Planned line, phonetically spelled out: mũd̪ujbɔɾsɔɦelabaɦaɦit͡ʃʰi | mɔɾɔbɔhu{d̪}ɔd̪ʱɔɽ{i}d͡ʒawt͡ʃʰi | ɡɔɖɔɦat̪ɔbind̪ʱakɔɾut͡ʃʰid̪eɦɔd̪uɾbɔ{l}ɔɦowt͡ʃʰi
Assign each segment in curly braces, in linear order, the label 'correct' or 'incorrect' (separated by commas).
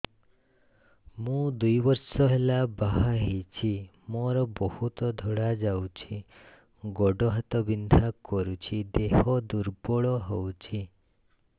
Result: incorrect, incorrect, incorrect